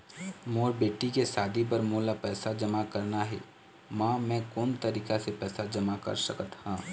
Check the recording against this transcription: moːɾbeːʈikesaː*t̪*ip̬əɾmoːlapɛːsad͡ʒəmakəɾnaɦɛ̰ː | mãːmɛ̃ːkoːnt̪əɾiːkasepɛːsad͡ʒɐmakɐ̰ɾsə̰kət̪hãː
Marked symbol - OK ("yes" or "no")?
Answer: no